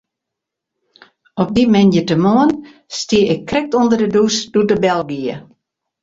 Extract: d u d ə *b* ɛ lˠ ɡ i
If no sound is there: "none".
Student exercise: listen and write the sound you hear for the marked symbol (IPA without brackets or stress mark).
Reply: b